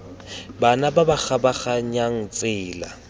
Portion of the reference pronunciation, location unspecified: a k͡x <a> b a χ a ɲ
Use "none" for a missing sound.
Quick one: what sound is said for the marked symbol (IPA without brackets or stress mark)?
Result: a